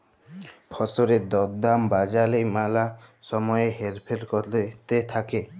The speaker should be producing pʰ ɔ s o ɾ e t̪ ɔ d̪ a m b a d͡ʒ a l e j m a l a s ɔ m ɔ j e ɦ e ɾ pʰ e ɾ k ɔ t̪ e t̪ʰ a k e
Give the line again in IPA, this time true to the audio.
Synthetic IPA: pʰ ɔ s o ɾ e d̪ ɔ d̪ a m b a d͡ʒ a l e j m a l a s ɔ m ɔ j e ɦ e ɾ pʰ e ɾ k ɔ t̪ e t̪ʰ a k e